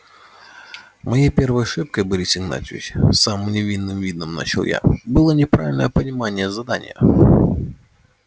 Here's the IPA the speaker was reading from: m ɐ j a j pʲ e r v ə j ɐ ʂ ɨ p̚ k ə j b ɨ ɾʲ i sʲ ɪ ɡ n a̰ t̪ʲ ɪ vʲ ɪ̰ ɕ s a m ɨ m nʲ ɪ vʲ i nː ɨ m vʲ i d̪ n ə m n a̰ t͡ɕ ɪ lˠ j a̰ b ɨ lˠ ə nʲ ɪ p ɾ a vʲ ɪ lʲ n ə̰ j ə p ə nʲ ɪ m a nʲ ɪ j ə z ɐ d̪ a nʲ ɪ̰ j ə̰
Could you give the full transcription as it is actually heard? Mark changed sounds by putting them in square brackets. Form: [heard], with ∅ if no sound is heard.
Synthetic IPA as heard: m ɐ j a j pʲ e r v ə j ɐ ʂ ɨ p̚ k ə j b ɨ ɾʲ i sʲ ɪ ɡ n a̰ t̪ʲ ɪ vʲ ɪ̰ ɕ s a m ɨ m nʲ ɪ vʲ i nː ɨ m vʲ i d̪ n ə m n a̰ t͡ɕ ɪ lˠ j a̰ b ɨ lˠ ə nʲ ɪ p ɾ a vʲ ɪ lʲ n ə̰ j ə p ə nʲ ɪ m a nʲ ɪ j ə z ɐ d̪ a nʲ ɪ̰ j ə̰